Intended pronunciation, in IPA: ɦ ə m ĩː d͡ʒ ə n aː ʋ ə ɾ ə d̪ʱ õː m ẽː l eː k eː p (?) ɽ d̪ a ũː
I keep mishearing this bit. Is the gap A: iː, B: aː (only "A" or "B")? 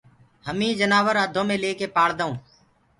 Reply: B